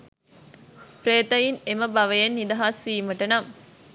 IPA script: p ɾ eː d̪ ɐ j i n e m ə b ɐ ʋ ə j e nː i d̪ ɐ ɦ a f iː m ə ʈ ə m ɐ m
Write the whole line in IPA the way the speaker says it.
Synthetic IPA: p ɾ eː t̪ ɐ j i n e m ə b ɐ ʋ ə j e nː i d̪ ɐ ɦ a s iː m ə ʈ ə n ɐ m